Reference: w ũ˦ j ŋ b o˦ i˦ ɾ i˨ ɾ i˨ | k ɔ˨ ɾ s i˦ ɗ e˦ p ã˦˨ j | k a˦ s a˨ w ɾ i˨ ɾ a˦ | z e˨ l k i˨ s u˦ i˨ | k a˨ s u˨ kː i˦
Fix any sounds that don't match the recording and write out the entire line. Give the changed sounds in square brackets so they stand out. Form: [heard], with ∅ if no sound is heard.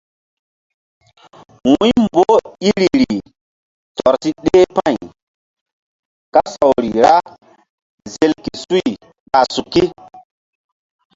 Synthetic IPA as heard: w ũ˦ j [m] b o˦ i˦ ɾ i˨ ɾ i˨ | [t] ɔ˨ ɾ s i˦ ɗ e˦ p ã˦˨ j | k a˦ s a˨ w ɾ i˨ ɾ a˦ | z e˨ l k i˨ s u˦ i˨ | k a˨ s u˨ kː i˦